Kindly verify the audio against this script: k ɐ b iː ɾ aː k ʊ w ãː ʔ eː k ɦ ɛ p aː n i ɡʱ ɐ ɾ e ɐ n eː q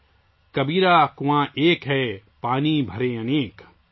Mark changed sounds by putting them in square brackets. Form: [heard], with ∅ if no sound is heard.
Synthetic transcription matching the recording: k ɐ b iː ɾ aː k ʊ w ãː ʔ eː k ɦ ɛ p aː n i [bʱ] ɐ ɾ e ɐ n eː [k]